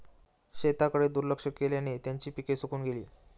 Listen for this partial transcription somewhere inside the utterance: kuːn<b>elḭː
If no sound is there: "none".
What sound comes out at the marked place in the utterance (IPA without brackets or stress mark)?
ɡ